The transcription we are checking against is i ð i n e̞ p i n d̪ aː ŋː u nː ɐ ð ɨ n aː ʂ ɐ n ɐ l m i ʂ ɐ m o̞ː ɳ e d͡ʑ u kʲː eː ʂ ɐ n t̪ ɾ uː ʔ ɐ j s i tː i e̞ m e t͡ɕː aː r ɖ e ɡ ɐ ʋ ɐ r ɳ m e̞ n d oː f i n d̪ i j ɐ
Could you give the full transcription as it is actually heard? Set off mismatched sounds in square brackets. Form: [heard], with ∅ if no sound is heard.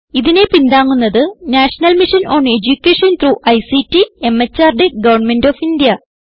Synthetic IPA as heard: i ð i n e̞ p i n d̪ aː ŋː u nː ɐ ð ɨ n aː ʂ ɐ n ɐ l m i ʂ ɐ [n] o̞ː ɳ e d͡ʑ u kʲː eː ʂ ɐ n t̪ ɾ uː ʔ ɐ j s i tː i e̞ m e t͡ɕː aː r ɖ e ɡ ɐ ʋ ɐ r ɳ m e̞ n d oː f i n d̪ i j ɐ